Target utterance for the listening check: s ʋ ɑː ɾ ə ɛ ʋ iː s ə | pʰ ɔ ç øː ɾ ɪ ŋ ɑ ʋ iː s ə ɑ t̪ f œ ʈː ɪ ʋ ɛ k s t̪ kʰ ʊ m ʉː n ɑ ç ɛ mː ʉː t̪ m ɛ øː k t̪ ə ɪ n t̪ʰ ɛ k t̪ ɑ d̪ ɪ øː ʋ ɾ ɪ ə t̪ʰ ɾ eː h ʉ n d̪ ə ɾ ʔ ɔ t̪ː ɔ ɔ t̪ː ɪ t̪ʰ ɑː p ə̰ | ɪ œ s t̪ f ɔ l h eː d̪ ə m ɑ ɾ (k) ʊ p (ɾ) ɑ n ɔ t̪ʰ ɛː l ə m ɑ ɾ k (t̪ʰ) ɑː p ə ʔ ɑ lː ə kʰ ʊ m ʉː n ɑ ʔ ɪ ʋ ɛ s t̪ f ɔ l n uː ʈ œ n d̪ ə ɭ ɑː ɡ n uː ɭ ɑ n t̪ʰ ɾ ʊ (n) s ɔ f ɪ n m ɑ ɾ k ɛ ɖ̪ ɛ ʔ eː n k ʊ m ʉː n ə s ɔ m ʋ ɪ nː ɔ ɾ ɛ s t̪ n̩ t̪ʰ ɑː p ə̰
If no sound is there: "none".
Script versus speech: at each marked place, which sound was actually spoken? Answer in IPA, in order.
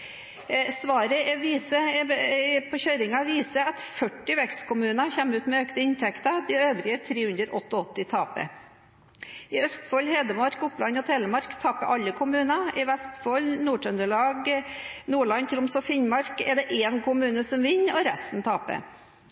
k, l, t̪ʰ, m

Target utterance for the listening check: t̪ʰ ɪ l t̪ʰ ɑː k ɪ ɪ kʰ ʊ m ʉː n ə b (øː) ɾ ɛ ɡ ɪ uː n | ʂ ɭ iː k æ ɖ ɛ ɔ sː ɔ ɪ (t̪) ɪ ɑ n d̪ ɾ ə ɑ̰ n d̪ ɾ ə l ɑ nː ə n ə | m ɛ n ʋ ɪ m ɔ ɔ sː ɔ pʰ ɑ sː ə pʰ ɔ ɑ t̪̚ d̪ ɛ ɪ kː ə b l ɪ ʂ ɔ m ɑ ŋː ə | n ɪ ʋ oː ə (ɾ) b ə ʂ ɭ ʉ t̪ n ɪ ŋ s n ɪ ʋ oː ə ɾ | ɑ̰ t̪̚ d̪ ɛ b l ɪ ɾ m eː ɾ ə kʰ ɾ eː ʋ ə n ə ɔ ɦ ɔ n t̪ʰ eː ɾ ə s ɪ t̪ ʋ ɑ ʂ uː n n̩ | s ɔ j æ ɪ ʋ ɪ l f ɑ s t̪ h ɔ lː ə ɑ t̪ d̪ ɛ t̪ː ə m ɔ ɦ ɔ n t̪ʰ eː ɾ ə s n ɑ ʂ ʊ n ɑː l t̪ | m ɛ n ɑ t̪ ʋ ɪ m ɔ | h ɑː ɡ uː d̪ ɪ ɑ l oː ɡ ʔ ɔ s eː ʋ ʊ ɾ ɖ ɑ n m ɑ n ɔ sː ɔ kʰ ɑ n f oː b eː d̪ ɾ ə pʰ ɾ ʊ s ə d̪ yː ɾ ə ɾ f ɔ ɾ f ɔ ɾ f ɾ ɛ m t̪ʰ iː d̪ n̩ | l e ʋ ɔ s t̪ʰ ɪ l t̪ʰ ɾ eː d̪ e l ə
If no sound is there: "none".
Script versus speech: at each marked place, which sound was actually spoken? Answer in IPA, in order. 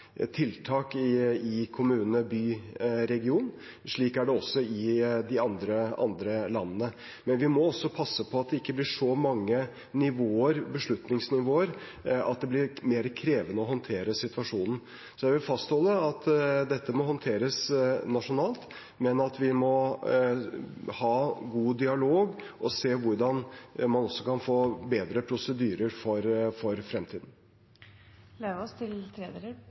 yː, d̪, ɾ

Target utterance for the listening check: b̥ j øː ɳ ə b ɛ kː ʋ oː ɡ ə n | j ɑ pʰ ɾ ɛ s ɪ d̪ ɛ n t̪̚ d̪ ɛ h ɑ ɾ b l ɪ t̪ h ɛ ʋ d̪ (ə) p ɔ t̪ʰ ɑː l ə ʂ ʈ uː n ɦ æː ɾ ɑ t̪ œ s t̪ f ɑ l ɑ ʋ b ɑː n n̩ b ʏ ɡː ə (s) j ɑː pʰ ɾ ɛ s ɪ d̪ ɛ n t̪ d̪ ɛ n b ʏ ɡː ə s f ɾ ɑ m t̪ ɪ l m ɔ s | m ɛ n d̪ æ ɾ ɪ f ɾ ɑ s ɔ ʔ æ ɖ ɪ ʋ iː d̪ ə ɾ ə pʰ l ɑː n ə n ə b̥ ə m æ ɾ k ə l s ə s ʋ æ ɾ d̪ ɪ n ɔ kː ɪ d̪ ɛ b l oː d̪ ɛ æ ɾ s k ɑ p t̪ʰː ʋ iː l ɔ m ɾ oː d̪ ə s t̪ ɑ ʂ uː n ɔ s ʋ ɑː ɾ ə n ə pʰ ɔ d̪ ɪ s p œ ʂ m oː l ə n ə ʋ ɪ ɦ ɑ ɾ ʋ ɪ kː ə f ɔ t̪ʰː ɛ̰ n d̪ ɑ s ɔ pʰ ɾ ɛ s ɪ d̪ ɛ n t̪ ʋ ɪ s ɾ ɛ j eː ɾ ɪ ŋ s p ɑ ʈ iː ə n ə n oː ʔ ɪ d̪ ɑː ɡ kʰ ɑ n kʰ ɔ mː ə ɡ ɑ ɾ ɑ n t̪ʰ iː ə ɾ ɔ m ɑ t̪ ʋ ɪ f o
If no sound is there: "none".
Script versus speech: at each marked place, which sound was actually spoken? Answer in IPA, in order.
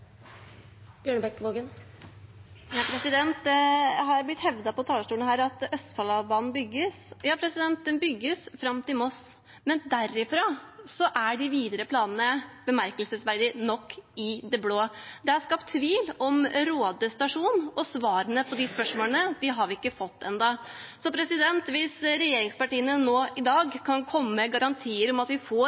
ɑ, s

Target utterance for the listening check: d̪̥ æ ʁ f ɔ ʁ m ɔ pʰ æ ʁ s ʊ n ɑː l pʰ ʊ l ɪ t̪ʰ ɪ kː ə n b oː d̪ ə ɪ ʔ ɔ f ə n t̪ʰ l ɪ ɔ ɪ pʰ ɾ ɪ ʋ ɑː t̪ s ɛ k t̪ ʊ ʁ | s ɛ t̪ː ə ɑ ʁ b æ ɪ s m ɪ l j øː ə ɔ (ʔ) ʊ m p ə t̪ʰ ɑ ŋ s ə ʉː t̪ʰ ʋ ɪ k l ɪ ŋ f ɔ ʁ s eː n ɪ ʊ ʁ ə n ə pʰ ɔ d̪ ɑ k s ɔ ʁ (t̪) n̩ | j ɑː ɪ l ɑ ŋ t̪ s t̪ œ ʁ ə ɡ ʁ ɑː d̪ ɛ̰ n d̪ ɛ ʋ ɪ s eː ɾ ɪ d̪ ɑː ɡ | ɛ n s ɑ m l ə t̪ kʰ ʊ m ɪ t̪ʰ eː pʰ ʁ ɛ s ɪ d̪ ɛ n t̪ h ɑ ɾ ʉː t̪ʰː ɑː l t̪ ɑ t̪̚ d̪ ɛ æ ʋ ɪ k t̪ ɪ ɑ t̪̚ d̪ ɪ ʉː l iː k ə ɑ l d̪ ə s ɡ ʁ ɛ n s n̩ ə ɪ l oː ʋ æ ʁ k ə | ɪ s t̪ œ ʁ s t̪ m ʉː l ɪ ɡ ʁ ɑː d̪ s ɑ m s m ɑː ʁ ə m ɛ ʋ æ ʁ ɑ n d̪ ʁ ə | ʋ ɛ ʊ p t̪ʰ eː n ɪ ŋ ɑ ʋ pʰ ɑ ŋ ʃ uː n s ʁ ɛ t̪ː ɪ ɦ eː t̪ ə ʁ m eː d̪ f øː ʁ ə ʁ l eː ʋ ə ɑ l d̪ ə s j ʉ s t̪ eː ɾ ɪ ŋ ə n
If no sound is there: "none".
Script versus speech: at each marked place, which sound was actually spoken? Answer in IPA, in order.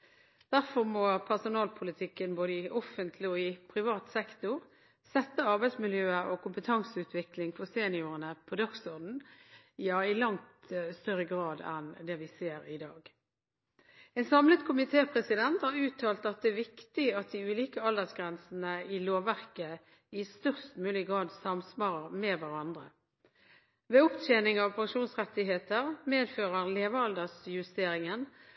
k, d̪

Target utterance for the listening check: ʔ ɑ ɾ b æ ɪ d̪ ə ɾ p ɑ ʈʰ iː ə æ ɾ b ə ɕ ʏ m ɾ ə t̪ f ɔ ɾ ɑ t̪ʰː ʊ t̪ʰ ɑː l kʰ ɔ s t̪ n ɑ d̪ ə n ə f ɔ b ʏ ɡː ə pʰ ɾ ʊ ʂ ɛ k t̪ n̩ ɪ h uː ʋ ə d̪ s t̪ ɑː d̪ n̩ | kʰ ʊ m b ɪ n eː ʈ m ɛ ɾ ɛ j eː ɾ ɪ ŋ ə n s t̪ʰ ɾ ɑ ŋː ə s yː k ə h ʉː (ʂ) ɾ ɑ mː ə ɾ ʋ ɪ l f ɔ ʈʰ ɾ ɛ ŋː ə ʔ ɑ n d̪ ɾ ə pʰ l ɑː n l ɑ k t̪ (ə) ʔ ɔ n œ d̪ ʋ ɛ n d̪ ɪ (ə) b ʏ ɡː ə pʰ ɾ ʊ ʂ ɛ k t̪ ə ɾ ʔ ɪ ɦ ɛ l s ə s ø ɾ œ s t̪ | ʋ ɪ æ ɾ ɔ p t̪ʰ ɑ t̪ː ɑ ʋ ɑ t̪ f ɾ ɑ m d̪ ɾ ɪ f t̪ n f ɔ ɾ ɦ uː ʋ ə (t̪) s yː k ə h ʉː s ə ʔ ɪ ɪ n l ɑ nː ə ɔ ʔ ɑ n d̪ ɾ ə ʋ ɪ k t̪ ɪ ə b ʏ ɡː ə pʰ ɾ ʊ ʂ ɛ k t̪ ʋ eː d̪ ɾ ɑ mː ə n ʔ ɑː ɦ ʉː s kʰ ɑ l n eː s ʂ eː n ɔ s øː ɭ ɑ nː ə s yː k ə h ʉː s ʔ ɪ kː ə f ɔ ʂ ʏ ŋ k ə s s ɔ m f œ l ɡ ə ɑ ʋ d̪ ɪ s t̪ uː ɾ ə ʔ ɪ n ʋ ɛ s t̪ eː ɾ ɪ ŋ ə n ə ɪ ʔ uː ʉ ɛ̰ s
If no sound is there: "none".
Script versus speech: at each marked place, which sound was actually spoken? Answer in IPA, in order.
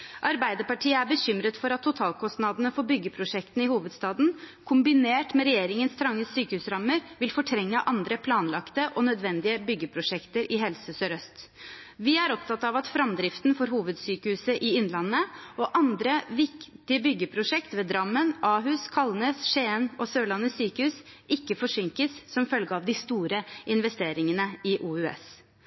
s, ə, ə, d̪

